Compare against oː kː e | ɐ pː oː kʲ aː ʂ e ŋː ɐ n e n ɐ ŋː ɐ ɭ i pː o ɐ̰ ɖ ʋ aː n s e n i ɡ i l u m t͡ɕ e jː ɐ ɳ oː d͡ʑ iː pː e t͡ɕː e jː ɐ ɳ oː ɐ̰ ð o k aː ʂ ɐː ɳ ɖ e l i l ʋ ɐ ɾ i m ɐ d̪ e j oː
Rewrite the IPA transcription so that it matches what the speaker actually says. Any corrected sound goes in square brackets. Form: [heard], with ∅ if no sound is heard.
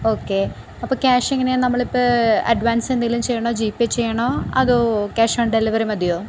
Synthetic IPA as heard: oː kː e | ɐ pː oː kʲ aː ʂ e ŋː ɐ n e n ɐ [mː] ɐ ɭ i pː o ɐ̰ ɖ ʋ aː n s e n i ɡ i l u m t͡ɕ e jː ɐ ɳ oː d͡ʑ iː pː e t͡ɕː e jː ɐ ɳ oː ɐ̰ ð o k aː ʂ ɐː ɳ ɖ e l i [∅] ʋ ɐ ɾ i m ɐ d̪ [i] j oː